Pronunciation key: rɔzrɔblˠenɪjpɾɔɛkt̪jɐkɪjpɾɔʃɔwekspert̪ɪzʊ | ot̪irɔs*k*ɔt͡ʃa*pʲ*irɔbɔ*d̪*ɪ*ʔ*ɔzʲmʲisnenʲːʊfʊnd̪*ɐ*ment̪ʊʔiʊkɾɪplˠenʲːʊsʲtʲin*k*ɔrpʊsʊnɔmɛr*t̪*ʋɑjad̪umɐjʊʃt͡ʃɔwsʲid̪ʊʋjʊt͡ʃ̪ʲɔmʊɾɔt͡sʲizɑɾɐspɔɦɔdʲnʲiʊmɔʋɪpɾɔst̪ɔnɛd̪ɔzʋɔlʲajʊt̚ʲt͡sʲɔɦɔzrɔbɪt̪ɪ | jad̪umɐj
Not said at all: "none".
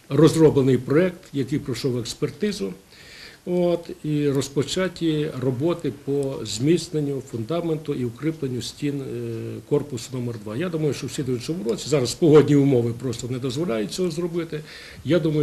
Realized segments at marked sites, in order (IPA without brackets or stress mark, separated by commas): p, tʲ, t̪, p, ɑ, k, d̪